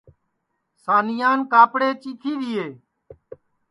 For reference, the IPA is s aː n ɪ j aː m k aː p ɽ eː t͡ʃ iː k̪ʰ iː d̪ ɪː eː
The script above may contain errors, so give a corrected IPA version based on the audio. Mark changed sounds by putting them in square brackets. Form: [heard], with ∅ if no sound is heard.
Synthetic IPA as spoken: s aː n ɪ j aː [n] k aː p ɽ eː t͡ʃ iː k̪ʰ iː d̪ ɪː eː